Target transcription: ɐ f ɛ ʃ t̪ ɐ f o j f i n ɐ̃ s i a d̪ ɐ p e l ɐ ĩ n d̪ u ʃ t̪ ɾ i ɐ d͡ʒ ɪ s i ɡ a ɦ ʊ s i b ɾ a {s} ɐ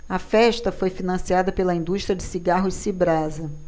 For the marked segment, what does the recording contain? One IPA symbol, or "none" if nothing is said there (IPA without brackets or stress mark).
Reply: z